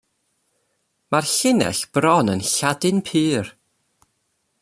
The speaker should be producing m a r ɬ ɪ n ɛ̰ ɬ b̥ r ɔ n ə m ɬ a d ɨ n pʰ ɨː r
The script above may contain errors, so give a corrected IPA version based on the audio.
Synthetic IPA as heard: m a r ɬ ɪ n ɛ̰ ɬ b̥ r ɔ n ə n ɬ a d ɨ n pʰ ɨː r